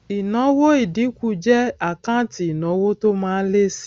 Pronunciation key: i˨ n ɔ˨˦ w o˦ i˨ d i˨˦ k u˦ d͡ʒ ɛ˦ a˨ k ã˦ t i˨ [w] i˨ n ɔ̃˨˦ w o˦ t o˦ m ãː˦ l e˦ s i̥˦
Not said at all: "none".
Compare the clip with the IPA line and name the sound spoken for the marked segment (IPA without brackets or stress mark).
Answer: none